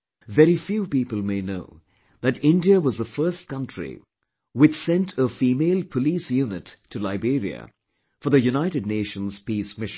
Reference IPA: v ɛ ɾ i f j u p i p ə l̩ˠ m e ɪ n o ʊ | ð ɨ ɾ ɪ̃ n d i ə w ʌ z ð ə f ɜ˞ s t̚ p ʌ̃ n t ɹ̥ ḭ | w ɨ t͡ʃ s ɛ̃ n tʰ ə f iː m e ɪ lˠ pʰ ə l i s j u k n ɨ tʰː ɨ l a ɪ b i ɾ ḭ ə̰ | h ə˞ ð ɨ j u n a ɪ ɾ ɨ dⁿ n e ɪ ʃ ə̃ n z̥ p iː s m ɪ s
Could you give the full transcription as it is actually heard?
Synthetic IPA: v ɛ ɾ i f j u p i p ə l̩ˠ m e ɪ n o ʊ | ð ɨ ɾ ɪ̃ n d i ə w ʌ z ð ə f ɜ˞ s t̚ k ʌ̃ n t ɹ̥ ḭ | w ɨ t͡ʃ s ɛ̃ n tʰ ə f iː m e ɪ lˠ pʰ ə l i s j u n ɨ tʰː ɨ l a ɪ b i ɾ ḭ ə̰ | f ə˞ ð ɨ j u n a ɪ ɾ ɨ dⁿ n e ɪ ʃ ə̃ n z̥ p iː s m ɪ ʃ

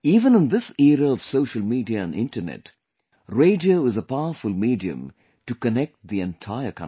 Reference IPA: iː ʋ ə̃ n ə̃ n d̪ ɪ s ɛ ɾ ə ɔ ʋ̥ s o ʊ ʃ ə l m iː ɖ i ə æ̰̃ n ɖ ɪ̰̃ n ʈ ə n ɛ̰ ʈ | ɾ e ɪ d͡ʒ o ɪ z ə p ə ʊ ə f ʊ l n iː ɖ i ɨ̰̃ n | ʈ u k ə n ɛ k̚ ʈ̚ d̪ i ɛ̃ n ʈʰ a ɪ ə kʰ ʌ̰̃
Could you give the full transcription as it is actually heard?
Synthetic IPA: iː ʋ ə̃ n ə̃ n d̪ ɪ s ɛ ɾ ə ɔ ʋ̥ s o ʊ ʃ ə l m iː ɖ i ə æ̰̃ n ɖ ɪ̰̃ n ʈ ə n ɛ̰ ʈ | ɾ e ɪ d͡ʒ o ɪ z ə p a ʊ ə f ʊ l m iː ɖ i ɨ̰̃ m | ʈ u k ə n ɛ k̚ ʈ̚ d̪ i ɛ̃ n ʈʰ a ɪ ə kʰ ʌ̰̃

